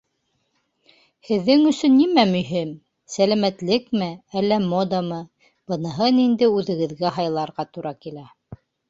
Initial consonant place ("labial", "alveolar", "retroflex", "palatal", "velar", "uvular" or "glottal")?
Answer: glottal